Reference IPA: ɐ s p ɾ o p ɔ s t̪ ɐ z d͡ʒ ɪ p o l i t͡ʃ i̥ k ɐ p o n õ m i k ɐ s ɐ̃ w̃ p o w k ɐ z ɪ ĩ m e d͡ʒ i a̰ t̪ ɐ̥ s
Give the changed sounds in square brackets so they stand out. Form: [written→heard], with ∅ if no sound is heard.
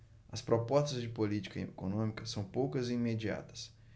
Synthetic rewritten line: ɐ s p ɾ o p ɔ s t̪ ɐ z d͡ʒ ɪ p o l i t͡ʃ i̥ k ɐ [p→k] o n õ m i k ɐ s ɐ̃ w̃ p o w k ɐ z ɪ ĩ m e d͡ʒ i a̰ t̪ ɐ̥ s